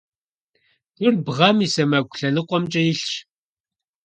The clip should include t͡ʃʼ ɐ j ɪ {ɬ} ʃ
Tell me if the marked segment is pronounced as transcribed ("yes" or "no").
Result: yes